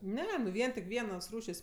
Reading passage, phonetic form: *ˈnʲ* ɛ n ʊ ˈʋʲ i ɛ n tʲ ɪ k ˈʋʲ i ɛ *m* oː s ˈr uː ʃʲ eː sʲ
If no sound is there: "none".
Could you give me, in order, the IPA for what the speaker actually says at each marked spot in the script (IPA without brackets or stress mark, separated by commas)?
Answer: nʲ, n